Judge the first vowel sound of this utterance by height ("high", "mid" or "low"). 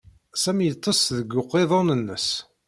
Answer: low